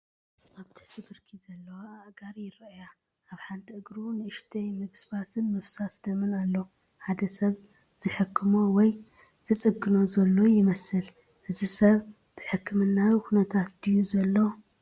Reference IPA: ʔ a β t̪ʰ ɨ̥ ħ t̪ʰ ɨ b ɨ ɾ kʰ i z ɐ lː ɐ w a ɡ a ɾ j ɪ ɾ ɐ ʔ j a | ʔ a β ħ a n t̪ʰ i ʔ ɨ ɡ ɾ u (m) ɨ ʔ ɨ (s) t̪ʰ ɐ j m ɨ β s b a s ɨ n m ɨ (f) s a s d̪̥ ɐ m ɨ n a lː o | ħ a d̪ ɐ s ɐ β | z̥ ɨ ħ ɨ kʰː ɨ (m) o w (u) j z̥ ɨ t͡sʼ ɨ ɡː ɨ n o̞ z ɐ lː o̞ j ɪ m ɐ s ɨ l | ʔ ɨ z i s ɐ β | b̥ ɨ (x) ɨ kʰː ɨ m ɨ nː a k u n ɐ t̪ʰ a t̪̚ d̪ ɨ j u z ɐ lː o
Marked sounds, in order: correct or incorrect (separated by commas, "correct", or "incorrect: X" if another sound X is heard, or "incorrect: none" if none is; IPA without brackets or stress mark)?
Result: incorrect: n, incorrect: ʃ, correct, correct, incorrect: ɔ, incorrect: ħ